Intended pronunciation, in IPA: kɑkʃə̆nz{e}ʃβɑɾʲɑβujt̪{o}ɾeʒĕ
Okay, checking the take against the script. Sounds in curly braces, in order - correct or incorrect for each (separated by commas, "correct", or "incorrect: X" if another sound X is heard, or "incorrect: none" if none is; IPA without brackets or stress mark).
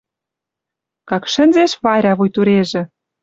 correct, incorrect: u